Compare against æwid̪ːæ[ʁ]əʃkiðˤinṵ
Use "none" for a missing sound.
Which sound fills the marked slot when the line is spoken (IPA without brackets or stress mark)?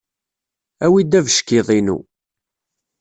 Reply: v